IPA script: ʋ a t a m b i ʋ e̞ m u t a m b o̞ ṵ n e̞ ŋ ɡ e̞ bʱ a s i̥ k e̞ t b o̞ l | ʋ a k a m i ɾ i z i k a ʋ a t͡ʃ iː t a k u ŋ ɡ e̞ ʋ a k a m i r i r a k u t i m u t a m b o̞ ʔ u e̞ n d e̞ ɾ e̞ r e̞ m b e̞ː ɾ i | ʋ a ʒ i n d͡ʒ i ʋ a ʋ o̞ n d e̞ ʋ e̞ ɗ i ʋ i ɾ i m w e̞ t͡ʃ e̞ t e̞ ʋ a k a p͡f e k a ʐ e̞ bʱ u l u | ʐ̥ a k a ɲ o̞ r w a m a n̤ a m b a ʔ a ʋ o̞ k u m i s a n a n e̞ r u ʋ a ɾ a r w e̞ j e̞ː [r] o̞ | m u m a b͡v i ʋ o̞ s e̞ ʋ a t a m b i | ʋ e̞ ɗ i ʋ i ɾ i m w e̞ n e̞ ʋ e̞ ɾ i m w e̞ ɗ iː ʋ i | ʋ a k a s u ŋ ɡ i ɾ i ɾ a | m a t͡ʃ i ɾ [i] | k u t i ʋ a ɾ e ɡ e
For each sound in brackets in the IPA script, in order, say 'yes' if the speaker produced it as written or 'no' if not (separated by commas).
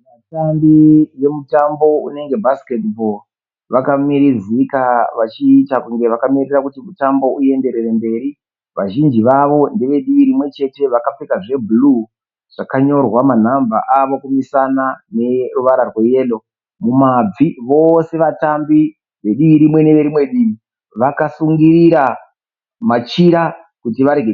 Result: no, no